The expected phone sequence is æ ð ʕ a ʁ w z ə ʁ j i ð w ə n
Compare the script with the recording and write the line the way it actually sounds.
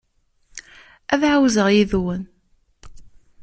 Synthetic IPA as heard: æ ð ʕ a w z ə ʁ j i ð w ə n